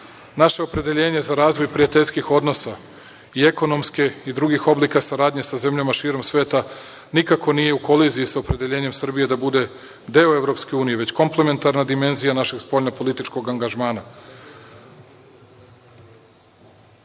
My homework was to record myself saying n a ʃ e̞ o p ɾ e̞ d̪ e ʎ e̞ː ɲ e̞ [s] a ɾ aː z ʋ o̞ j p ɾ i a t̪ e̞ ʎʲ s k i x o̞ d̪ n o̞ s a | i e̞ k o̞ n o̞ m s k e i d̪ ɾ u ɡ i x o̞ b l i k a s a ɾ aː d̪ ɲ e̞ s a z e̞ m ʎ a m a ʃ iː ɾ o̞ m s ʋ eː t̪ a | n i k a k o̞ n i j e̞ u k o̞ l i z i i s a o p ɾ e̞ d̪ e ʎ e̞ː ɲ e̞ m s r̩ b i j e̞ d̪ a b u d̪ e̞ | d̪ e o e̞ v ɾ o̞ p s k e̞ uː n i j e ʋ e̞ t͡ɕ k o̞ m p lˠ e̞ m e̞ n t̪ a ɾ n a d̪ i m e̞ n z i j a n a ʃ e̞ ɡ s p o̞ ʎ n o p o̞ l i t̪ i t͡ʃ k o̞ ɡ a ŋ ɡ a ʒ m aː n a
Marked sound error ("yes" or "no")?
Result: yes